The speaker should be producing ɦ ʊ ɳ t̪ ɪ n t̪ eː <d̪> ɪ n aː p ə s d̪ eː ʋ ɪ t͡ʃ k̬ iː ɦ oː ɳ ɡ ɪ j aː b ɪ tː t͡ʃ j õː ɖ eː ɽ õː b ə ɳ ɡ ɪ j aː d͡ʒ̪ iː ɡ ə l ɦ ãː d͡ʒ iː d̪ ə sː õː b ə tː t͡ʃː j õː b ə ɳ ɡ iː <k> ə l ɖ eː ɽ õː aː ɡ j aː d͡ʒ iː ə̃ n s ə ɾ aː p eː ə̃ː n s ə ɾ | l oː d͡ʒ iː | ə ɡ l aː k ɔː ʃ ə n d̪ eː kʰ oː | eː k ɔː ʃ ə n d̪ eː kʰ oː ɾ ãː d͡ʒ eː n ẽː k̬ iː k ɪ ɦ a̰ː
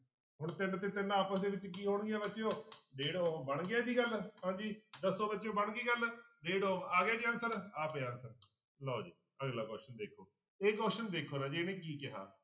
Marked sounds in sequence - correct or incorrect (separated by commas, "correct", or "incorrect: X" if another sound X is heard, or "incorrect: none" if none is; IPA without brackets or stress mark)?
incorrect: t̪, incorrect: ɡ